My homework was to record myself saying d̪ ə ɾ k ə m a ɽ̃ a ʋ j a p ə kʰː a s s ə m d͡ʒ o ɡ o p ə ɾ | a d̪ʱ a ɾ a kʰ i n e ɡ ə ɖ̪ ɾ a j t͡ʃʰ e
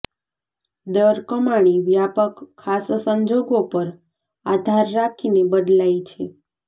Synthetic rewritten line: d̪ ə ɾ k ə m a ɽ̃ i ʋ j a p ə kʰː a s s ə ɲ d͡ʒ o ɡ o p ə ɾ | a d̪ʱ a ɾː a kʰ i n e b ə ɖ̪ l a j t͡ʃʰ e